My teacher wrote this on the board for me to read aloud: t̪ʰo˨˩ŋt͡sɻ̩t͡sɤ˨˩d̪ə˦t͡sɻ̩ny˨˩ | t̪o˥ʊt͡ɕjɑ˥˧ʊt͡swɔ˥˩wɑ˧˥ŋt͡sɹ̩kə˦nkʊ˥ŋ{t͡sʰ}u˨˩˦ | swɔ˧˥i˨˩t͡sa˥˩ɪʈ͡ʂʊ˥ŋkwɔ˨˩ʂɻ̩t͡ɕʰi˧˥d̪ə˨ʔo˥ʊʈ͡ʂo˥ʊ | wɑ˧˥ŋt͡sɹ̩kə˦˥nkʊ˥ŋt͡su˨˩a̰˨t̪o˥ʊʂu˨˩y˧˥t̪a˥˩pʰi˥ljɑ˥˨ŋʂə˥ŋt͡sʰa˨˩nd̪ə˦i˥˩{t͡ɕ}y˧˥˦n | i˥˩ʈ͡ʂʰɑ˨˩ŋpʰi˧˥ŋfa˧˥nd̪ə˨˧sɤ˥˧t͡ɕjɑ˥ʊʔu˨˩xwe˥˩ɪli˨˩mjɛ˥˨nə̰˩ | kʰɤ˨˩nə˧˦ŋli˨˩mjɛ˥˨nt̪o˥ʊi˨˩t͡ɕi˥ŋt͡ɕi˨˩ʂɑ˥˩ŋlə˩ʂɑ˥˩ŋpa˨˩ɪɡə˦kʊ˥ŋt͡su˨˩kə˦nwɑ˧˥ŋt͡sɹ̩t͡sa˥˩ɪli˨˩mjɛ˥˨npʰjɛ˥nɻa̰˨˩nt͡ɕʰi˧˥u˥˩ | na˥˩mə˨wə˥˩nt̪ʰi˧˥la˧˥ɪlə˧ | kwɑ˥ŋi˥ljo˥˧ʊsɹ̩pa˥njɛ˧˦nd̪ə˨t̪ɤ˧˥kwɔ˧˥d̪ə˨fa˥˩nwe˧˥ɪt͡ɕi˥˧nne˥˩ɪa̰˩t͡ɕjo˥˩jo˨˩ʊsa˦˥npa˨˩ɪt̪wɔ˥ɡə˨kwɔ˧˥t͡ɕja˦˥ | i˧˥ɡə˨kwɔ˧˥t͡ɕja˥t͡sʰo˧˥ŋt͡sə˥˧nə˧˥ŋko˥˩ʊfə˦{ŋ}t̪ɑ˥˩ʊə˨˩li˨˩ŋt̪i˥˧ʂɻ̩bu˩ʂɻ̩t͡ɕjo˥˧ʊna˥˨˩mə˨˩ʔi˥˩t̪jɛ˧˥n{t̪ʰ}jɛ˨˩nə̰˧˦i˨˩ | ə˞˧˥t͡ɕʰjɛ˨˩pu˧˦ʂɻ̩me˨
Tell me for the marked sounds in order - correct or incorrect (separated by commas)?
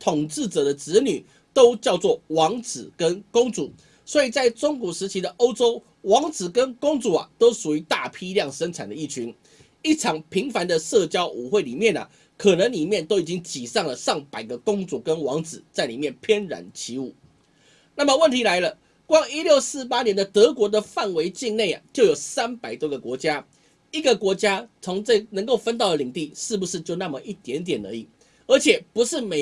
incorrect, incorrect, incorrect, incorrect